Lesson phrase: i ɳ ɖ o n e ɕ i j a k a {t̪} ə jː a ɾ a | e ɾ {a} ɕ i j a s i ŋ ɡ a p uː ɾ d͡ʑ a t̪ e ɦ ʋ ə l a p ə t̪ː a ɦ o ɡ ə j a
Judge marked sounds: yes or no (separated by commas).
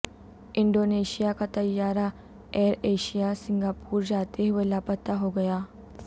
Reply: yes, no